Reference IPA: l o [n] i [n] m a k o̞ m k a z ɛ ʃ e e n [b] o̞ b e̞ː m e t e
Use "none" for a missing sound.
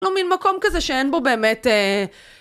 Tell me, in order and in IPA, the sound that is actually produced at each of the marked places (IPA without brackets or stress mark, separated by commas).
m, n, b